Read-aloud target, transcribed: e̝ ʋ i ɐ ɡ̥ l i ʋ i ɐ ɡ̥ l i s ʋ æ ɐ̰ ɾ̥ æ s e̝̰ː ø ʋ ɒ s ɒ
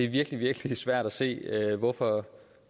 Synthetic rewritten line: e̝ ʋ i ɐ ɡ̥ l i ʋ i ɐ ɡ̥ l i s ʋ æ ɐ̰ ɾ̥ æ s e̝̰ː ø ʋ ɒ f ɒ